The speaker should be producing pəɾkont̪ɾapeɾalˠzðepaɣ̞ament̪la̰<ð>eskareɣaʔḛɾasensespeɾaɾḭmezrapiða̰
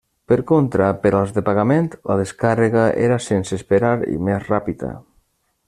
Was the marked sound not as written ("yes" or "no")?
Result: no